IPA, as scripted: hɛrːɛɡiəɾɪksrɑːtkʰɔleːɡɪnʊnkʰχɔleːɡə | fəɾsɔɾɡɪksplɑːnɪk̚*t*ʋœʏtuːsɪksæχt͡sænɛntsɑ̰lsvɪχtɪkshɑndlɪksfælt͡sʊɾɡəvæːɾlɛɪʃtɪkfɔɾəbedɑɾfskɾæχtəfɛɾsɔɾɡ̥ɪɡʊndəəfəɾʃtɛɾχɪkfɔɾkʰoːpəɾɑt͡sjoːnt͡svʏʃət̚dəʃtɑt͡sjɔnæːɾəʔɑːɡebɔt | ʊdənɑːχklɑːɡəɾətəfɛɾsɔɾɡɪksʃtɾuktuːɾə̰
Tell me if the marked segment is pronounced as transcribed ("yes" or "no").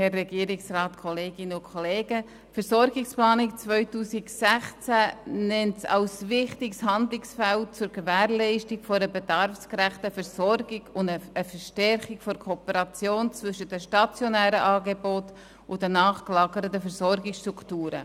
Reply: no